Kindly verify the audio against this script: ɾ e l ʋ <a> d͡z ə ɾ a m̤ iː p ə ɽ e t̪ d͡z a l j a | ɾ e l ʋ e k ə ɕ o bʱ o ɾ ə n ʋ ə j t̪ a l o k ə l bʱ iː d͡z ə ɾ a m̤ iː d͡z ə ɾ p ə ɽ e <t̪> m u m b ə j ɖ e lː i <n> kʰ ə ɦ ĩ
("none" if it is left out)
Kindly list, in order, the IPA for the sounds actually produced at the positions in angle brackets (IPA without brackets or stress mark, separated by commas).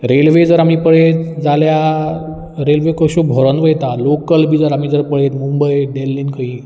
e, t̪, n